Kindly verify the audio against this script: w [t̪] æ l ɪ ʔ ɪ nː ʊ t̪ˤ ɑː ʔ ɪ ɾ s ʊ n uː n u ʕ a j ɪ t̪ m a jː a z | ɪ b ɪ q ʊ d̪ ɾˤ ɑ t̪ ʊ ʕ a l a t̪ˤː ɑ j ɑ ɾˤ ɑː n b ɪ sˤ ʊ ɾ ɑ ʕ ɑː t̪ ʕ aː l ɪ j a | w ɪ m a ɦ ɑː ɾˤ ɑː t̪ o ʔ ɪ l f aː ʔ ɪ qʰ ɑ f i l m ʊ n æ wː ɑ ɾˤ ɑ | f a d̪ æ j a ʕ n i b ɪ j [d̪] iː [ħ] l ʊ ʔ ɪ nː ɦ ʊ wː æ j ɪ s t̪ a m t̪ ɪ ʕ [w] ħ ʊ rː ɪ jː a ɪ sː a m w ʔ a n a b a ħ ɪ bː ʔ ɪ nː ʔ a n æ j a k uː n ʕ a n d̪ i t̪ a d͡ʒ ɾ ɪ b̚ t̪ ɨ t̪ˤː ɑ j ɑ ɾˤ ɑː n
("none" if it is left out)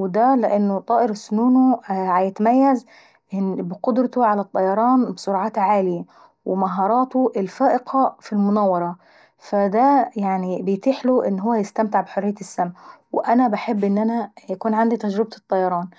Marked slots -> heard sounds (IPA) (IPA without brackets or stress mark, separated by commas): d̪, t̪, ħ, b